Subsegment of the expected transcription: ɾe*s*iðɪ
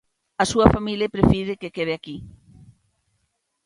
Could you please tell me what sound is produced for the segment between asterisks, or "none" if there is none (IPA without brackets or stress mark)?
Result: f